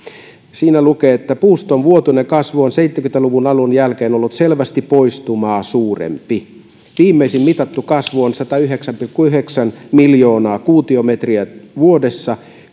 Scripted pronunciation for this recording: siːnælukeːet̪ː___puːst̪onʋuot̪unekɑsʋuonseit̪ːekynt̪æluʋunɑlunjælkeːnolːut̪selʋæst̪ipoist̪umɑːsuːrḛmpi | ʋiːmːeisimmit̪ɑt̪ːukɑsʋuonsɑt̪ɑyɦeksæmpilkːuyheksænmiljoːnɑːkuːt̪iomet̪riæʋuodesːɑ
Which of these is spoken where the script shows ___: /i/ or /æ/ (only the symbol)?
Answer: æ